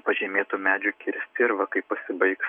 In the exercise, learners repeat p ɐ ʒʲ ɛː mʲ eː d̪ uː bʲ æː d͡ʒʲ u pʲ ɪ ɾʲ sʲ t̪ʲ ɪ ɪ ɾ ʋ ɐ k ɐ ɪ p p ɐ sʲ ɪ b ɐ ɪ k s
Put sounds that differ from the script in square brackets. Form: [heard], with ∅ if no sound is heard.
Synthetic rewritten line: p ɐ ʒʲ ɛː mʲ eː [t̪] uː [mʲ] æː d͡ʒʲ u [kʲ] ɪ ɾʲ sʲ t̪ʲ ɪ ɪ ɾ ʋ ɐ k ɐ ɪ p p ɐ sʲ ɪ b ɐ ɪ k s